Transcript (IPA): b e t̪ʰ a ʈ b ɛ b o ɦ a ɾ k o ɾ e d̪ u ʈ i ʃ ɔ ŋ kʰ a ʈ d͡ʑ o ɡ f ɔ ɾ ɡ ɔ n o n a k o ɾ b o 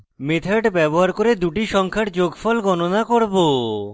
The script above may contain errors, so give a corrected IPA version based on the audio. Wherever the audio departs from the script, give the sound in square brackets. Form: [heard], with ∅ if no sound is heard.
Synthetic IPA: [m] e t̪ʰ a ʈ b ɛ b o ɦ a ɾ k o ɾ e d̪ u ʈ i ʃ ɔ ŋ kʰ a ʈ d͡ʑ o ɡ f ɔ [l] ɡ ɔ n o n a k o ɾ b o